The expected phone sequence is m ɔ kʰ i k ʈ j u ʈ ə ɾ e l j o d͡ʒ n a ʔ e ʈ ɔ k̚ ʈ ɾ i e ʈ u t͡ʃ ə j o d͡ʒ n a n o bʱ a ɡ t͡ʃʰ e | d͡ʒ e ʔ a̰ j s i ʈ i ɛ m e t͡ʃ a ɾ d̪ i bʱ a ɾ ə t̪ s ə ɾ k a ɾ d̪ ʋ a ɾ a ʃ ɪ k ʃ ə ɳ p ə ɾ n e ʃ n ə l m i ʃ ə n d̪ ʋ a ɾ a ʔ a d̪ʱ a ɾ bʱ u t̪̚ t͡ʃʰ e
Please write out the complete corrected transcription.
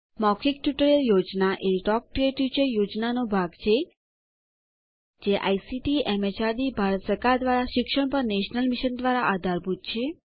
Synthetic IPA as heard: m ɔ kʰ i k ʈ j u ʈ ə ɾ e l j o d͡ʒ n a ʔ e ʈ ɔ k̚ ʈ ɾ i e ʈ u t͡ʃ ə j o d͡ʒ n a n o bʱ a ɡ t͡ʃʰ e | d͡ʒ e ʔ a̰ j s i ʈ i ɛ m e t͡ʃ a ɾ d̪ i bʱ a ɾ ə t̪ s ə ɾ k a ɾ d̪ ʋ a ɾ a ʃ ɪ k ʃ ə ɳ p ə ɾ n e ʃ n ə l m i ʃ ə n d̪ ʋ a ɾ a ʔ a d̪ʱ a ɾ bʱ u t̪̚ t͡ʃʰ e